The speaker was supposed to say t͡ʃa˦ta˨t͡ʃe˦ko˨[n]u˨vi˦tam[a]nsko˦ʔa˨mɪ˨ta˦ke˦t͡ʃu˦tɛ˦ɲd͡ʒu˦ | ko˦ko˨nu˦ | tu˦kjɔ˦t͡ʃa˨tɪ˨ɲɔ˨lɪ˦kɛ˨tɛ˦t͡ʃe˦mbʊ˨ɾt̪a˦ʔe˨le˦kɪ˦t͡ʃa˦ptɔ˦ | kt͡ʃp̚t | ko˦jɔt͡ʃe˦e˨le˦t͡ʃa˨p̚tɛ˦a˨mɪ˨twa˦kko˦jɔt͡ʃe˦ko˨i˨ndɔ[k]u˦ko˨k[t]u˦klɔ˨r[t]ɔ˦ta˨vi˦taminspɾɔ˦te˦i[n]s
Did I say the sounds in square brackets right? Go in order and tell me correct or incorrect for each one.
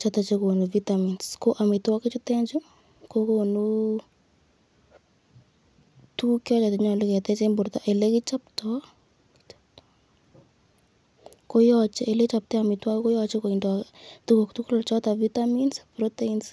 correct, incorrect: i, incorrect: t, correct, incorrect: t͡ʃ, correct

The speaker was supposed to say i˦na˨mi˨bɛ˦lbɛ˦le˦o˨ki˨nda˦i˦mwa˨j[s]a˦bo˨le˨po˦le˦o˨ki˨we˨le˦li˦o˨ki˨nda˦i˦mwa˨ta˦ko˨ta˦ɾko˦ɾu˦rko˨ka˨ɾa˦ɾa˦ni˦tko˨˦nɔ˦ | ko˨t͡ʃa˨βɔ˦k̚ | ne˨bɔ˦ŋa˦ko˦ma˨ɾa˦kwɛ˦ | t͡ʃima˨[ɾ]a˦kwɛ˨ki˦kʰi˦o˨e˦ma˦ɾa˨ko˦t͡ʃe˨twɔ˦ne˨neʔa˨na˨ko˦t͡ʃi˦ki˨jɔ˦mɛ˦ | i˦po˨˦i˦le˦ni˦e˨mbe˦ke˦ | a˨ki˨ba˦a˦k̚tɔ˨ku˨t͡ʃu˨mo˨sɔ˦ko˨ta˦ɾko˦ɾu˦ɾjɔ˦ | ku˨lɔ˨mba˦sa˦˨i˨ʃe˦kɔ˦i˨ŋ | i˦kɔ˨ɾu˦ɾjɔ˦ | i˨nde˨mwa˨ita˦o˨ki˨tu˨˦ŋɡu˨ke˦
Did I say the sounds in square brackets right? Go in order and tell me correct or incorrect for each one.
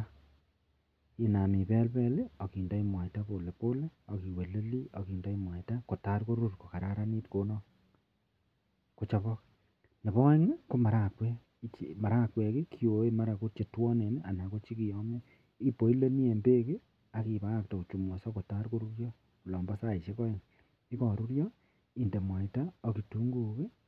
incorrect: t, correct

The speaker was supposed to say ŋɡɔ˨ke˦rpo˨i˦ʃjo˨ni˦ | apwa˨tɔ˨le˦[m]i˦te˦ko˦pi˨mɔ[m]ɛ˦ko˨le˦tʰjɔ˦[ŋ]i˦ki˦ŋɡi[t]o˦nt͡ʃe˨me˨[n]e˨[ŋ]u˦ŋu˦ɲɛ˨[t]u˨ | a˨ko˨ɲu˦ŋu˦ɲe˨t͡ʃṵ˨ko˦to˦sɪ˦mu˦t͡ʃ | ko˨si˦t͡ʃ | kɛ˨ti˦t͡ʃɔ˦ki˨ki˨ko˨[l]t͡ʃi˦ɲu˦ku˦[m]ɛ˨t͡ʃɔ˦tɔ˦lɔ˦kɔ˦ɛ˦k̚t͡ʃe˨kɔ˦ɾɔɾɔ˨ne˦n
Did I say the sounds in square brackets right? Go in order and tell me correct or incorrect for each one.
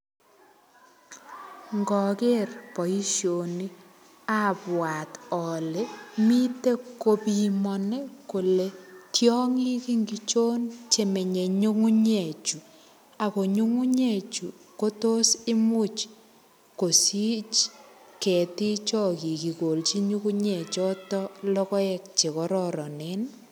correct, incorrect: n, correct, incorrect: t͡ʃ, incorrect: ɲ, incorrect: ɲ, incorrect: t͡ʃ, correct, incorrect: ɲ

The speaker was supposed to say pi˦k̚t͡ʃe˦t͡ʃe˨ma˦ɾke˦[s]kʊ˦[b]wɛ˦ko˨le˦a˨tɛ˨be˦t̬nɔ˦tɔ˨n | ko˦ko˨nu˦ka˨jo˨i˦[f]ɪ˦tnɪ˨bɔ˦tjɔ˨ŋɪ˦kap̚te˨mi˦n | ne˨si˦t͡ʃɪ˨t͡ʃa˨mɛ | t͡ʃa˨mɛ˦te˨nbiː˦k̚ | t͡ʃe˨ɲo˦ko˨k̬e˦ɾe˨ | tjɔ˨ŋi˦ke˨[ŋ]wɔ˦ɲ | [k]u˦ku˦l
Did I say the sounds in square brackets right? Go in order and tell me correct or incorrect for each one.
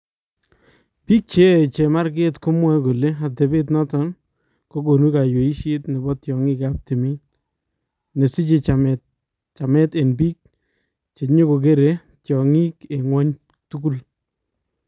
incorrect: t, incorrect: m, incorrect: ʃ, correct, incorrect: t

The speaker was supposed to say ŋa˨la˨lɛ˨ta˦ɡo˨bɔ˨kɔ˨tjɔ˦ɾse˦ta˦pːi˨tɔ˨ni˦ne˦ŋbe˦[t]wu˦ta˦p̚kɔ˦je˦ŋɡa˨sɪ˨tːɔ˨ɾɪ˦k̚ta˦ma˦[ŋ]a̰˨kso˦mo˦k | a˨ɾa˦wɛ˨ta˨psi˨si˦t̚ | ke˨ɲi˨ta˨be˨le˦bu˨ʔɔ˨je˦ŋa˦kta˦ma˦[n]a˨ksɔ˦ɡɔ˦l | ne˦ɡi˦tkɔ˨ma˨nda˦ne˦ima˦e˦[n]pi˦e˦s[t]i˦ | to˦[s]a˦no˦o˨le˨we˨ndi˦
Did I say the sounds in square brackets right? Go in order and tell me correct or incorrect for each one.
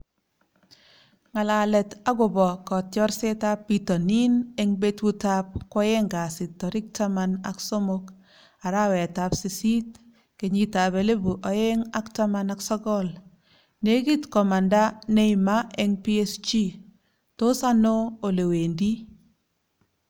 correct, incorrect: n, correct, incorrect: ŋ, incorrect: t͡ʃ, correct

